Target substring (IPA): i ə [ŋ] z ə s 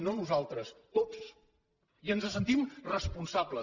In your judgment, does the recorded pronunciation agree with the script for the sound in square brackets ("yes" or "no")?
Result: no